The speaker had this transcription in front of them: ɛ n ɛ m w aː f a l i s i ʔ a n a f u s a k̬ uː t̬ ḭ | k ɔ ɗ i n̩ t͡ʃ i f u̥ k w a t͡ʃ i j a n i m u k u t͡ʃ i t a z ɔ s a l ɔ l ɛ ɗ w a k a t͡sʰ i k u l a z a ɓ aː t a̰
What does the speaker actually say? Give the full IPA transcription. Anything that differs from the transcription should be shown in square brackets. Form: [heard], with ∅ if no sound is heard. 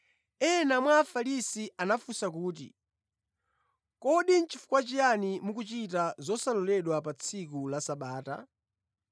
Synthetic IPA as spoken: ɛ n [a] m w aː f a l i s i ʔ a n a f u s a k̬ uː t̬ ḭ | k ɔ ɗ i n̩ t͡ʃ i f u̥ k w a t͡ʃ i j a n i m u k u t͡ʃ i t a z ɔ s a l ɔ l ɛ ɗ w a [p] a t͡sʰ i k u l a [s] a ɓ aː t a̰